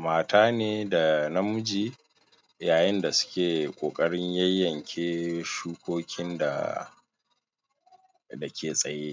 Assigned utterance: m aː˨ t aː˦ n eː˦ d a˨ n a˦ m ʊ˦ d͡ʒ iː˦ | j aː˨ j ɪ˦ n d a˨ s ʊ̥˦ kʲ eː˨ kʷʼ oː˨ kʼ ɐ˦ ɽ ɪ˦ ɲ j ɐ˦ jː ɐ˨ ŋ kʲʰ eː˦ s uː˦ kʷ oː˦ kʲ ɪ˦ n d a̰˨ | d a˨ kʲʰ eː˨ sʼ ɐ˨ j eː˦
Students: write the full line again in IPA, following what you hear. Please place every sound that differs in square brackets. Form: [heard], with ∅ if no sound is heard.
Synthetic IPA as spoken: m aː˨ t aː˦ n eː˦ d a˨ n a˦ m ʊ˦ d͡ʒ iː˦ | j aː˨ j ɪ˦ n d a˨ s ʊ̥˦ kʲ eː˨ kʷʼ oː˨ kʼ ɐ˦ ɽ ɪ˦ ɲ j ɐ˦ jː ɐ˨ ŋ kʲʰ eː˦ [ʃ] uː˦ kʷ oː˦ kʲ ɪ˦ n d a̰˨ | d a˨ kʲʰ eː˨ sʼ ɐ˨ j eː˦